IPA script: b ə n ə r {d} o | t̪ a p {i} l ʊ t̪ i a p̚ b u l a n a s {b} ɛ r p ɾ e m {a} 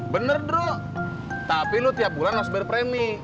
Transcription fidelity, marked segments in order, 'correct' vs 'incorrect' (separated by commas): correct, correct, correct, incorrect